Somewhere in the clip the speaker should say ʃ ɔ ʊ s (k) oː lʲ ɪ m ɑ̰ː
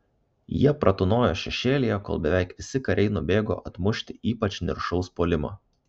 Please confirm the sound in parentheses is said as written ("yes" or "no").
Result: no